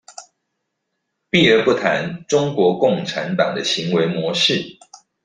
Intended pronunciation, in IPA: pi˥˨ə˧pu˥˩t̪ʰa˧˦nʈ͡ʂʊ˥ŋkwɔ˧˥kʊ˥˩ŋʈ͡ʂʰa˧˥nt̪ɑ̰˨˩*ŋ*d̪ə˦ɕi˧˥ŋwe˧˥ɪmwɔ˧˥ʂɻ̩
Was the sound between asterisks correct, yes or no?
yes